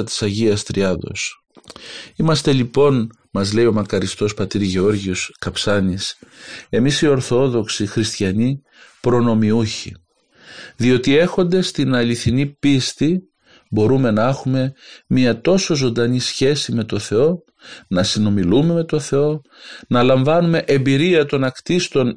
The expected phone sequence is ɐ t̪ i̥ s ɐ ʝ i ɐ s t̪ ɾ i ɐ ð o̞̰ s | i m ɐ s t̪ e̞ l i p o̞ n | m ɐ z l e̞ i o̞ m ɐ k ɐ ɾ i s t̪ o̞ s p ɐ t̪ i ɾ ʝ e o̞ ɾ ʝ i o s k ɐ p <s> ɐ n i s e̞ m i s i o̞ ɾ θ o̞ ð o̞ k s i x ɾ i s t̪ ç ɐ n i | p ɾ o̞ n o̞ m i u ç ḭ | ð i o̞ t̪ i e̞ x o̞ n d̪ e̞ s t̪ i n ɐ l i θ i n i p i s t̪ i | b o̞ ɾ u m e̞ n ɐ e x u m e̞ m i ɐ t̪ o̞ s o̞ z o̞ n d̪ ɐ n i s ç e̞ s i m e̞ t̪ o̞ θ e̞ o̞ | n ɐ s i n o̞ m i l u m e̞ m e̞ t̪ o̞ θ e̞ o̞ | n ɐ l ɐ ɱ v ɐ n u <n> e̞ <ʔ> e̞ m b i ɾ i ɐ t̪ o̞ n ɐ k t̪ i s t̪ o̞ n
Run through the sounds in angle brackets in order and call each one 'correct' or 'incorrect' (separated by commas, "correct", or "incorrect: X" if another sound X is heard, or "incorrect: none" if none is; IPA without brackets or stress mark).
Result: correct, incorrect: m, correct